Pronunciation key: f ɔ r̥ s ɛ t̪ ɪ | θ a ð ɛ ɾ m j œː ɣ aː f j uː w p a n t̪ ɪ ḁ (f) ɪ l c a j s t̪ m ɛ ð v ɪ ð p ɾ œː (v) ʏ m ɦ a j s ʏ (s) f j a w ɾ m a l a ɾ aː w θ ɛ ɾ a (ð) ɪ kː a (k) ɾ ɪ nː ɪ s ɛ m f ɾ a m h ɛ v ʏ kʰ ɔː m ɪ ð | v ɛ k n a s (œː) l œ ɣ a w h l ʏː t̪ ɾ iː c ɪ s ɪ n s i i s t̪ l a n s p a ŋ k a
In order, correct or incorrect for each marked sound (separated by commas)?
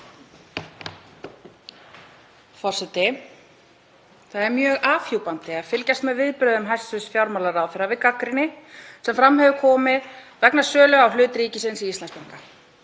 correct, incorrect, correct, incorrect, correct, correct